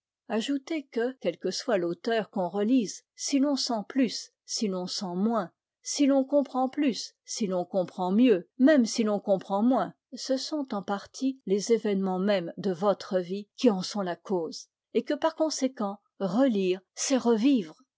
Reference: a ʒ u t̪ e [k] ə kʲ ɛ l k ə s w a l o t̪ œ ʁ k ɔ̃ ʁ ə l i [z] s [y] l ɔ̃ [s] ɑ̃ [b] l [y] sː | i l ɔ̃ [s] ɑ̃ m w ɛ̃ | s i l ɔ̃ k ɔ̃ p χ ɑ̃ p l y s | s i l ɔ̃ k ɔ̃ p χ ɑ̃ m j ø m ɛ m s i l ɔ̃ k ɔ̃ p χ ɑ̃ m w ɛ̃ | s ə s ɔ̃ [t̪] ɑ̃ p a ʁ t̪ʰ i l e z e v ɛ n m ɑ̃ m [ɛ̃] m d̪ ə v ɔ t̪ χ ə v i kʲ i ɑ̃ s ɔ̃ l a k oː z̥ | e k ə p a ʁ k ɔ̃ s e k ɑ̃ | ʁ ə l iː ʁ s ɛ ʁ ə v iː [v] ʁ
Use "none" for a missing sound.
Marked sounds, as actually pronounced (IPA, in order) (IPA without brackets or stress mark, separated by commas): k, z, i, s, p, y, s, t̪, ɛ, v